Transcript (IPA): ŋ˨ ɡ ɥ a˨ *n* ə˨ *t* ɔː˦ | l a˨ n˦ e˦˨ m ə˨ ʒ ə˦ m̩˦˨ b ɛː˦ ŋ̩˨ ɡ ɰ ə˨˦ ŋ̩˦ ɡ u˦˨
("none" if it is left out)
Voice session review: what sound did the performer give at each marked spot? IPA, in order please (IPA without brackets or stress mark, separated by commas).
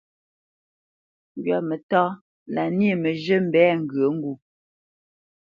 m, t